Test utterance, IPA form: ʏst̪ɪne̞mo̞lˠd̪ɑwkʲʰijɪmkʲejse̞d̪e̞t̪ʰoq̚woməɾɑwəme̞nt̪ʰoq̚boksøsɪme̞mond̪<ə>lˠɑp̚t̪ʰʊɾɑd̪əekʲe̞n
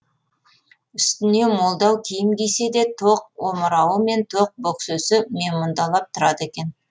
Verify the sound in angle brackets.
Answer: incorrect: ɑ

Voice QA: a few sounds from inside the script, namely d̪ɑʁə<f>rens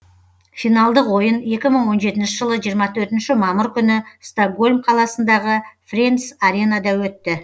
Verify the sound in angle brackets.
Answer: correct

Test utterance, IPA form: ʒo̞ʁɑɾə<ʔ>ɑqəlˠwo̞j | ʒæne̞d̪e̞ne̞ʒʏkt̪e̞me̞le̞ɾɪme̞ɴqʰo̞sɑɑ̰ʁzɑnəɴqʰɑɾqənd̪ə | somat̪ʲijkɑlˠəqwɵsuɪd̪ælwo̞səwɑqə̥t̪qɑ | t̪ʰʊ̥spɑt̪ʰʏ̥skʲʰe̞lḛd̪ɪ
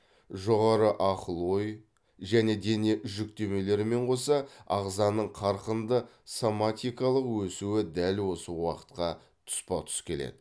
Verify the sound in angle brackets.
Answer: correct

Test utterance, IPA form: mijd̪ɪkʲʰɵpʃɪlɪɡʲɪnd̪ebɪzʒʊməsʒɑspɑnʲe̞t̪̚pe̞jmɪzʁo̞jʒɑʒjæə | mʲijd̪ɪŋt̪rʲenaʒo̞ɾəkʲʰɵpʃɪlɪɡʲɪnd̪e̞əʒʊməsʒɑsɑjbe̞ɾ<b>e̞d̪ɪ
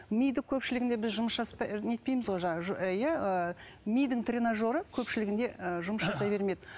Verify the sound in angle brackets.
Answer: incorrect: m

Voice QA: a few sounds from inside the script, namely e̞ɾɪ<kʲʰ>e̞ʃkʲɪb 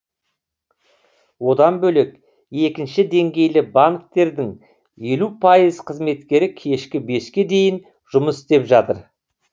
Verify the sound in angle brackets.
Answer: correct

